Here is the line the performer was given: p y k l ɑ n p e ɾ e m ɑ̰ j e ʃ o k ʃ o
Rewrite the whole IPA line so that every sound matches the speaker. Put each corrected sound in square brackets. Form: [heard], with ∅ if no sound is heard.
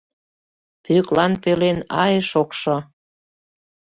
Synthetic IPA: p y k l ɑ n p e [l] e [n] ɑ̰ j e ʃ o k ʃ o